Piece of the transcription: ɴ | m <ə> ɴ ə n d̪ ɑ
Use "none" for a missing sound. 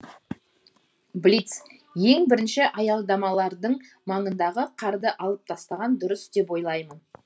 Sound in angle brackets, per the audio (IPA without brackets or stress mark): ɑ